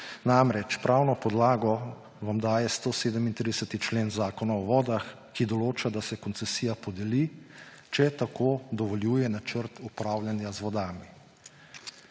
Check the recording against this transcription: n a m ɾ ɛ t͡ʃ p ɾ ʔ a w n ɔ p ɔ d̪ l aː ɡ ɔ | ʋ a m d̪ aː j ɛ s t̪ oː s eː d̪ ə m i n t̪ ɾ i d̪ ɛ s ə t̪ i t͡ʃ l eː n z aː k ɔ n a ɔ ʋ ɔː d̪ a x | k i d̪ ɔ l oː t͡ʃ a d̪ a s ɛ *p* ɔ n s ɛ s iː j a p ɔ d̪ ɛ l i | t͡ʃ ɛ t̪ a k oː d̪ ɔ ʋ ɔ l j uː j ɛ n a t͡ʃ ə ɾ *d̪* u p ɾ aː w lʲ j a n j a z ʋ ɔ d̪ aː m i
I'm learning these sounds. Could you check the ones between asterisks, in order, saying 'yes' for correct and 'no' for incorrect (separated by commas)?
no, no